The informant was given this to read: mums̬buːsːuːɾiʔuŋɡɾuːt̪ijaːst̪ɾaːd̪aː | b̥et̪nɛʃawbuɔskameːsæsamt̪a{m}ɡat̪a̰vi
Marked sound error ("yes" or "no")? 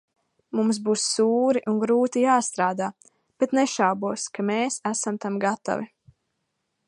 no